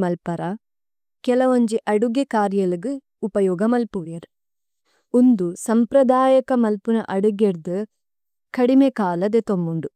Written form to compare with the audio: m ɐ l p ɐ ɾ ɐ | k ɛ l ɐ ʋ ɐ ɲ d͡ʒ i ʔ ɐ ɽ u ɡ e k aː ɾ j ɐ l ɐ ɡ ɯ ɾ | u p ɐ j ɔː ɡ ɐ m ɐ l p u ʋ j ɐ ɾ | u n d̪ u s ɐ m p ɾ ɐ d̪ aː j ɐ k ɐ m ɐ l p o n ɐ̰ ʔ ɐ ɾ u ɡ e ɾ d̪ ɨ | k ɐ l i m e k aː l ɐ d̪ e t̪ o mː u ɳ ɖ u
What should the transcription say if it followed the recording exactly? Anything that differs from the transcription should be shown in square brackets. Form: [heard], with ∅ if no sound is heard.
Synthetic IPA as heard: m ɐ l p ɐ ɾ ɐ | k ɛ l ɐ ʋ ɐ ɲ d͡ʒ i ʔ ɐ ɽ u ɡ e k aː ɾ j ɐ l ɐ ɡ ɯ [∅] | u p ɐ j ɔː ɡ ɐ m ɐ l p u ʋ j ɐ ɾ | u n d̪ u s ɐ m p ɾ ɐ d̪ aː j ɐ k ɐ m ɐ l p [u] n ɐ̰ ʔ ɐ [ɽ] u ɡ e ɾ d̪ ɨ | k ɐ [ɽ] i m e k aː l ɐ d̪ e t̪ o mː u ɳ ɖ u

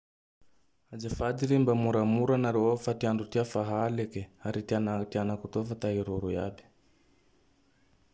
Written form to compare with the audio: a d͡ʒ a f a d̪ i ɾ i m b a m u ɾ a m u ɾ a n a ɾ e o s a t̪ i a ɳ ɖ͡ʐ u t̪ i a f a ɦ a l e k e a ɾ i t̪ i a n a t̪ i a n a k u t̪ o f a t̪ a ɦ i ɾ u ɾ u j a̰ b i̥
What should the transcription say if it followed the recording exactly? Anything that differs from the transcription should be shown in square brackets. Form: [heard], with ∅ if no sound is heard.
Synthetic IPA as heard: a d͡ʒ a f a d̪ i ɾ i m b a m u ɾ a m u ɾ a n a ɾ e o [f] a t̪ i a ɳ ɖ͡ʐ u t̪ i a f a ɦ a l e k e a ɾ i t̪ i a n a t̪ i a n a k u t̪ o f a t̪ a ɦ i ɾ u ɾ u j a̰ b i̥

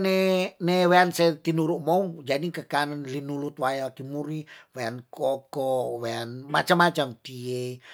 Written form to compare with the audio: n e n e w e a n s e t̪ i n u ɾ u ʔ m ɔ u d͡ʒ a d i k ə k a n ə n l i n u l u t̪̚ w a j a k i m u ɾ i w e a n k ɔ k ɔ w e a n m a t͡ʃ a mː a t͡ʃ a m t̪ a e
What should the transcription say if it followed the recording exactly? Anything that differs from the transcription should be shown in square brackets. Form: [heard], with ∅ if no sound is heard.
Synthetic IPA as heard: n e n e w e a n s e t̪ i n u ɾ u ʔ m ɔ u d͡ʒ a d i k ə k a n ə n l i n u l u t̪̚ w a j a k i m u ɾ i w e a n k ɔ k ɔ w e a n m a t͡ʃ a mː a t͡ʃ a m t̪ [i] e

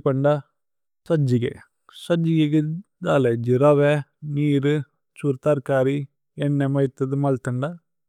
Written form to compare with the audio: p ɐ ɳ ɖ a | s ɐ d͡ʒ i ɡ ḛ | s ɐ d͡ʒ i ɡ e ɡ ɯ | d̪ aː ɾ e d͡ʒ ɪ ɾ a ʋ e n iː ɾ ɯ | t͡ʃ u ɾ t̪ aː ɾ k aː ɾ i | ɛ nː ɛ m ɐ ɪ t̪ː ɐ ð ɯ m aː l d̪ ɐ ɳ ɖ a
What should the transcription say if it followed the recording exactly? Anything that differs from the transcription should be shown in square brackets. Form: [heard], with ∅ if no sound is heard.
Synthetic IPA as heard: p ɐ ɳ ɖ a | s ɐ d͡ʒ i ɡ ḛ | s ɐ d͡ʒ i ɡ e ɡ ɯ | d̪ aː [l] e d͡ʒ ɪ ɾ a ʋ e n iː ɾ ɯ | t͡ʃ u ɾ t̪ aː ɾ k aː ɾ i | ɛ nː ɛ m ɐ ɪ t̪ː ɐ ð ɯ m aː l [t̪] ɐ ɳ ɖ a

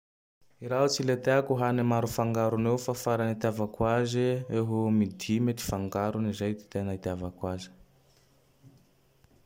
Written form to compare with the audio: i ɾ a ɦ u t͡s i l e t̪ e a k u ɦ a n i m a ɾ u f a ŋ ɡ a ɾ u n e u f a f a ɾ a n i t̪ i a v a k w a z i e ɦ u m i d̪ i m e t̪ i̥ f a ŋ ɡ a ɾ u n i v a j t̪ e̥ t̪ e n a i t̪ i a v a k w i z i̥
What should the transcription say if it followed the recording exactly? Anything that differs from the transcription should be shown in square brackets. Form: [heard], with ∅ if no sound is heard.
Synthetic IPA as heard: i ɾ a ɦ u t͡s i l e t̪ e a k u ɦ a n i m a ɾ u f a ŋ ɡ a ɾ u n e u f a f a ɾ a n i t̪ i a v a k w a z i e ɦ u m i d̪ i m e t̪ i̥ f a ŋ ɡ a ɾ u n i [z] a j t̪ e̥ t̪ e n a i t̪ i a v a k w [a] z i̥

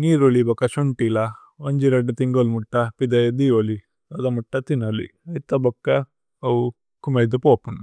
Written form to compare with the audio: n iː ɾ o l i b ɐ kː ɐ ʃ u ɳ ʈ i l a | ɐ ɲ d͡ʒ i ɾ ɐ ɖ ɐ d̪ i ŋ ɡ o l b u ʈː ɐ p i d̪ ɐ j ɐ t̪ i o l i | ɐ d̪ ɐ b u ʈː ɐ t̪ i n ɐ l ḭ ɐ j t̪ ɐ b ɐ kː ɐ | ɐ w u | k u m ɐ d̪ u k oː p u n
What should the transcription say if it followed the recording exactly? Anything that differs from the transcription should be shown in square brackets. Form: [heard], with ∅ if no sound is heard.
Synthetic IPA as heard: n iː ɾ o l i b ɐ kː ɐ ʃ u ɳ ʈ i l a | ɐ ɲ d͡ʒ i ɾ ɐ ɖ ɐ [t̪] i ŋ ɡ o l [m] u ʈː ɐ p i d̪ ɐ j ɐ [d̪] i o l i | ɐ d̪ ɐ [m] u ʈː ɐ t̪ i n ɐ l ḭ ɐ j t̪ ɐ b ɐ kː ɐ | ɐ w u | k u m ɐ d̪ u [p] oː p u n

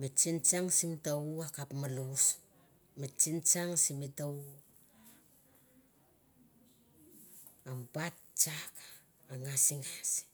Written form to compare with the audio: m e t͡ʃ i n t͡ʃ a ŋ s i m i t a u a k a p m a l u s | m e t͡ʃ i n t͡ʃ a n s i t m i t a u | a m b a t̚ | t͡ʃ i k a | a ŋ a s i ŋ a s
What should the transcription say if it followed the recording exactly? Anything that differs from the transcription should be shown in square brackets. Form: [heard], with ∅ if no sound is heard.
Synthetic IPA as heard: m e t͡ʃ i n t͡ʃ a ŋ s i m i t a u a k a p m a l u s | m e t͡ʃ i n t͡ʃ a [ŋ] s i [∅] m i t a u | a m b a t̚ | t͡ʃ [a] k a | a ŋ a s i ŋ a s

